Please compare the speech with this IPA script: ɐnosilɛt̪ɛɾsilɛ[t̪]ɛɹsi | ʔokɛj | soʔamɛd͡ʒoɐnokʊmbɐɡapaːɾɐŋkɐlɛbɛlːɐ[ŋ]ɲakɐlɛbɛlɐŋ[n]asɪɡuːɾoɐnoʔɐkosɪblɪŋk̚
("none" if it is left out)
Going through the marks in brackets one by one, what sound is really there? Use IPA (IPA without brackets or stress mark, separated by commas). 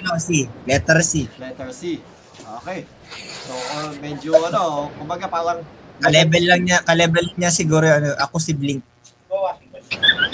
t̪, ŋ, ɲ